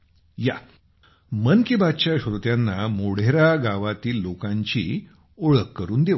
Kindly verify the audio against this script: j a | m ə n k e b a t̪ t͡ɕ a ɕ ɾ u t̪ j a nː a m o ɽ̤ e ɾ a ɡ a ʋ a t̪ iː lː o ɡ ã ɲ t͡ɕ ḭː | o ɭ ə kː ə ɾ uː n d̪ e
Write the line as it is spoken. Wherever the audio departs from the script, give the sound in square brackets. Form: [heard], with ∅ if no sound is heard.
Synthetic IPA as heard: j a | m ə n k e b a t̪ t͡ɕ a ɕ ɾ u t̪ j a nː a m o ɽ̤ e ɾ a ɡ a ʋ a t̪ iː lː o [k] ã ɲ t͡ɕ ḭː | o ɭ ə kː ə ɾ uː n d̪ e

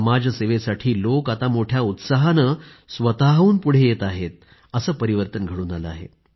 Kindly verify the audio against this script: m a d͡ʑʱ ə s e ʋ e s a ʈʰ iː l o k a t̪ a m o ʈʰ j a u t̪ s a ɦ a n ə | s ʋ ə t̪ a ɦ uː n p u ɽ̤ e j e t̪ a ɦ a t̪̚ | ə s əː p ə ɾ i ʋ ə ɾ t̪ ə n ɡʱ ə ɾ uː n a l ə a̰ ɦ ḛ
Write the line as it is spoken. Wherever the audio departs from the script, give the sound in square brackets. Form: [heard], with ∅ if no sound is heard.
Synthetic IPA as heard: m a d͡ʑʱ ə s e ʋ e s a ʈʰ iː l o k a t̪ a m o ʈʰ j a u t̪ s a ɦ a n ə | s ʋ ə t̪ a ɦ uː n p u ɽ̤ e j e t̪ a ɦ [e] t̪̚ | ə s əː p ə ɾ i ʋ ə ɾ t̪ ə n ɡʱ ə [ɽ] uː n a l ə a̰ ɦ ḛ

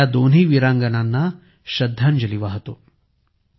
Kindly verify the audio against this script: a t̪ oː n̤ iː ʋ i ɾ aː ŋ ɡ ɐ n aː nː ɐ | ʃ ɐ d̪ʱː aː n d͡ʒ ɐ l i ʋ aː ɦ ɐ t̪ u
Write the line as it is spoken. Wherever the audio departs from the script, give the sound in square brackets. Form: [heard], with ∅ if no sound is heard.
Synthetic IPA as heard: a [d̪] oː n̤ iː ʋ i ɾ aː ŋ ɡ ɐ n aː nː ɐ | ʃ ɐ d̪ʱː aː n d͡ʒ ɐ l i ʋ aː ɦ ɐ t̪ u

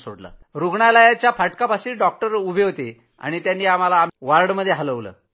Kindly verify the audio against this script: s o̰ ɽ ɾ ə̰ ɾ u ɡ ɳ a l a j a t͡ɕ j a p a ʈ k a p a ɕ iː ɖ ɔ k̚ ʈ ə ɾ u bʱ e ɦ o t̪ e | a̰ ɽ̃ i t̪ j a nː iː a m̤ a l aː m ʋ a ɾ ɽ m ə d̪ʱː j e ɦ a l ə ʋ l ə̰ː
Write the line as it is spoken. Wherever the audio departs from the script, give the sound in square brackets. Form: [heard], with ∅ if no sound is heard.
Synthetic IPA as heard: s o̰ ɽ [l] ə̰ ɾ u ɡ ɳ a l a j a t͡ɕ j a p a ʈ k a p a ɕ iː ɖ ɔ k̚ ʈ ə ɾ u bʱ e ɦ o t̪ e | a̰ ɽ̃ i t̪ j a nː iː a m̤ a l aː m ʋ a ɾ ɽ m ə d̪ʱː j e ɦ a l ə ʋ l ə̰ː

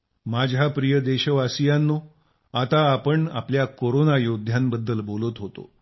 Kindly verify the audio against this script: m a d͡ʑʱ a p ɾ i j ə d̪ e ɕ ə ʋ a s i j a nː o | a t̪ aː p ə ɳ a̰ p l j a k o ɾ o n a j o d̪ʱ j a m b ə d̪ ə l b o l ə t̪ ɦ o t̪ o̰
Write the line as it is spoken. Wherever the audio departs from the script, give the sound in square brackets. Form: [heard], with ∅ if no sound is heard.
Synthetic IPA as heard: m a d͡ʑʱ a p ɾ i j ə d̪ e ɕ ə ʋ a s i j a nː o | a t̪ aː p ə ɳ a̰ p l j a k o ɾ o n a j o d̪ʱ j a m b ə [d̪ː] ə l b o l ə t̪ ɦ o t̪ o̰

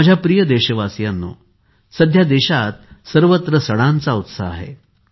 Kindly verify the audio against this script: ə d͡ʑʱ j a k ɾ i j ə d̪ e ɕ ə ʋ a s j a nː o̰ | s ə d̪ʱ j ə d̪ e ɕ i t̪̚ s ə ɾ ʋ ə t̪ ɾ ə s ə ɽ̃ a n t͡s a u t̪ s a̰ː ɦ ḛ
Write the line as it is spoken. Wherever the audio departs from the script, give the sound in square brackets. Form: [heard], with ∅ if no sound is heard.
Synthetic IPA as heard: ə d͡ʑʱ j a [p] ɾ i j ə d̪ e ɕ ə ʋ a s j a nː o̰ | s ə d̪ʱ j [a] d̪ e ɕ [a] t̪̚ s ə ɾ ʋ ə t̪ ɾ ə s ə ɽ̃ a n t͡s a u t̪ s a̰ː ɦ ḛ

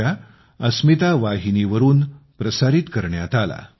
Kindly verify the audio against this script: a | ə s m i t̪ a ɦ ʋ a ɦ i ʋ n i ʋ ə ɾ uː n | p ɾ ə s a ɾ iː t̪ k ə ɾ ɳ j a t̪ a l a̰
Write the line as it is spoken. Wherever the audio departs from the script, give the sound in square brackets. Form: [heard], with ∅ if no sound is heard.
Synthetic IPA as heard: a | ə s m i t̪ a [∅] ʋ a ɦ i [∅] n i ʋ ə ɾ uː n | p ɾ ə s a ɾ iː t̪ k ə ɾ ɳ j a t̪ a l a̰

